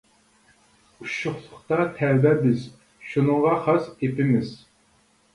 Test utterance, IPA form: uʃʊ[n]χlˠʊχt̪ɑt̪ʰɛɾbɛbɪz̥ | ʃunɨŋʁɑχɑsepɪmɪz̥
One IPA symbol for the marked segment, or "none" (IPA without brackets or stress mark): none